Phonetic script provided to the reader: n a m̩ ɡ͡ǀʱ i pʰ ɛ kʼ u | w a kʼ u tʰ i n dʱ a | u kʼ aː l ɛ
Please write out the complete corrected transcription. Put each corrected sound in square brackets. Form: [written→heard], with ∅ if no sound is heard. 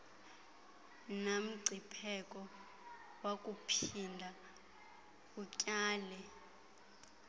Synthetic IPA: n a m̩ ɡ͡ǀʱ i pʰ ɛ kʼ [u→ɔ] | w a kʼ u [tʰ→pʰ] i n dʱ a | u [kʼ→cʼ] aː l ɛ